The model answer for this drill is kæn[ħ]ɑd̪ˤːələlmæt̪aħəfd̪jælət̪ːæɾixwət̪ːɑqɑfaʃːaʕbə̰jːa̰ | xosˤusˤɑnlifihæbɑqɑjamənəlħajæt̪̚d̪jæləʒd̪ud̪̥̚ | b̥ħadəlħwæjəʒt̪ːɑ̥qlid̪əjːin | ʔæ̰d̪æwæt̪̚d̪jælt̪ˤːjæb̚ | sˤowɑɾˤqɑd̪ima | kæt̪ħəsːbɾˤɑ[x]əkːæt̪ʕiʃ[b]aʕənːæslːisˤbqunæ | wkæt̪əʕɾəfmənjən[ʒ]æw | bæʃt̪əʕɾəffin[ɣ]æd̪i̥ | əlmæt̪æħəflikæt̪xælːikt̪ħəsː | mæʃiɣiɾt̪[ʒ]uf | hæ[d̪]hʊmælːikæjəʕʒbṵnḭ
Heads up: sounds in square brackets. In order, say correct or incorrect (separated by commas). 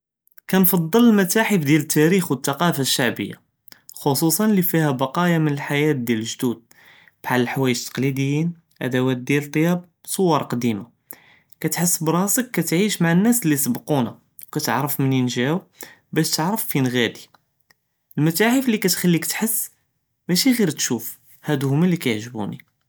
incorrect, incorrect, incorrect, correct, correct, incorrect, correct